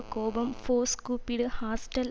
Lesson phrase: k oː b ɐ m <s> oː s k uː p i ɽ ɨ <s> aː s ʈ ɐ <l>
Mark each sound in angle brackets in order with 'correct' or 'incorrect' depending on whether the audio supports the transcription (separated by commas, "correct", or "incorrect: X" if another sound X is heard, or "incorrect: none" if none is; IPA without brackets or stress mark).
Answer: incorrect: f, incorrect: h, correct